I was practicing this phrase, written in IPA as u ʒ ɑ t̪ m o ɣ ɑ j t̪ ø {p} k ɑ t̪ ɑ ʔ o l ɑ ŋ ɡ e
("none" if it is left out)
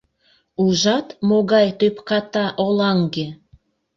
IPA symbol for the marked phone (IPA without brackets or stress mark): p